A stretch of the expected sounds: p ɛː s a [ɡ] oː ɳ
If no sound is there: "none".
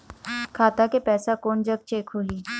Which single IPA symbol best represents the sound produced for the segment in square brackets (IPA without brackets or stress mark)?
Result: k